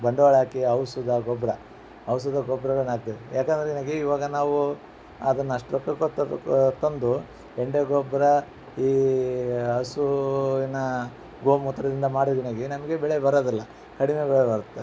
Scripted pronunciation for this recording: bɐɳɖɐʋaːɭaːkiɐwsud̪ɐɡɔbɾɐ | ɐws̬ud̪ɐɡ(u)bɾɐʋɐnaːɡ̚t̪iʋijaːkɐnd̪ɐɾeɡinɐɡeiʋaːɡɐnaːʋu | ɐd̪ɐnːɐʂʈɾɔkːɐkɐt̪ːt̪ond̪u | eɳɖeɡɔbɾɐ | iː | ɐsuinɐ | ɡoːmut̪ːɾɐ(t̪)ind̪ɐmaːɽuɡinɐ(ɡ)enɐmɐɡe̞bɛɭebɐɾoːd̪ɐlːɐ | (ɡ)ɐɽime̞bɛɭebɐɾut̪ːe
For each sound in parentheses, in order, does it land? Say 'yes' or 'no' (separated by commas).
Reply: no, no, yes, no